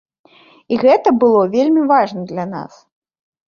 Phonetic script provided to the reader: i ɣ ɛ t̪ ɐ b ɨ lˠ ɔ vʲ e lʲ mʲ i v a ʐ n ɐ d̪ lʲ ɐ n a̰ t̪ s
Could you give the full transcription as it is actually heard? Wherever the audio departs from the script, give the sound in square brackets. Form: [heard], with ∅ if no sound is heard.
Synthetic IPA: i ɣ ɛ t̪ ɐ b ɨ lˠ ɔ vʲ e lʲ mʲ i v a ʐ n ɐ d̪ lʲ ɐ n a̰ [∅] s